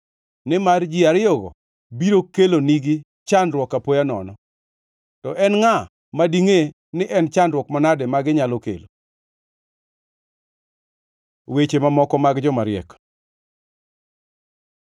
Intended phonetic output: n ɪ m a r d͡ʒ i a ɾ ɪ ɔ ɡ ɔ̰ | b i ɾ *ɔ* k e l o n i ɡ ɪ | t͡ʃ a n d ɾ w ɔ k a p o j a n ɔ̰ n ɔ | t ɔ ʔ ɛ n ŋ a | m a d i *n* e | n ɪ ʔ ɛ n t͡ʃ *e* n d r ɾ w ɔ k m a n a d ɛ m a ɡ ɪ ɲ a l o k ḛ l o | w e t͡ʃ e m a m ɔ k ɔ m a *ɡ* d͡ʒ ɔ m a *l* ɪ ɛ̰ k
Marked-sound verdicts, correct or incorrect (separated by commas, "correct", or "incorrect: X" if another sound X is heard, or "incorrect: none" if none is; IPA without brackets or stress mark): incorrect: o, incorrect: ŋ, incorrect: a, correct, incorrect: ɾ